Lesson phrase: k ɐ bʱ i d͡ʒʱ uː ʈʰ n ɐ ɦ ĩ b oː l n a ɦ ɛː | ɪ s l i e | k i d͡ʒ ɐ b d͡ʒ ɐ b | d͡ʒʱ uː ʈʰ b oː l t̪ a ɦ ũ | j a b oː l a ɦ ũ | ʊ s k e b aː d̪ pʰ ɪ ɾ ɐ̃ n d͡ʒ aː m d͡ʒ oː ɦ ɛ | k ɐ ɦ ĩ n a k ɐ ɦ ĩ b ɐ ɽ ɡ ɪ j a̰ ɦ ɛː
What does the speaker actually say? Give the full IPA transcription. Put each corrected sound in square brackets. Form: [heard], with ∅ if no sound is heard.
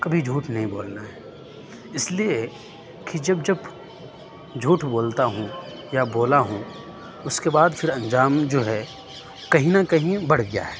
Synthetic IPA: k ɐ bʱ i d͡ʒʱ uː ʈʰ n ɐ ɦ ĩ b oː l n a ɦ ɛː | ɪ s l i e | k i d͡ʒ ɐ b d͡ʒ ɐ b | d͡ʒʱ uː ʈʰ b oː l t̪ a ɦ ũ | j a b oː l a ɦ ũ | ʊ s k e b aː d̪ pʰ ɪ ɾ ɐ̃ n d͡ʒ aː m d͡ʒ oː ɦ ɛ | k ɐ ɦ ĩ n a k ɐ ɦ ĩ b ɐ ɽ ɡ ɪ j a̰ ɦ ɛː